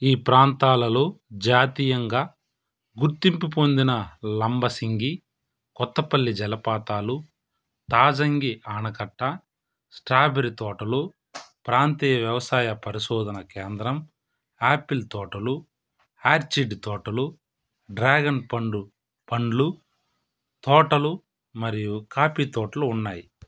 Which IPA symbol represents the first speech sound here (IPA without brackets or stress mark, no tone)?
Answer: iː